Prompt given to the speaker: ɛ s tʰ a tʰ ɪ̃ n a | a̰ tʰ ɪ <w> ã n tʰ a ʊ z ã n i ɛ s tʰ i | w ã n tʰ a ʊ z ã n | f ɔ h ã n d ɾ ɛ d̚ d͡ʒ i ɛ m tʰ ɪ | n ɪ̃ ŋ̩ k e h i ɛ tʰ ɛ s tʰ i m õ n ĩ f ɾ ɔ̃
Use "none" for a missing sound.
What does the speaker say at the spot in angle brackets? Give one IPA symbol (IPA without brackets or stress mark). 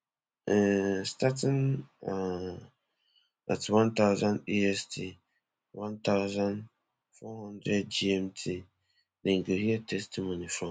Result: w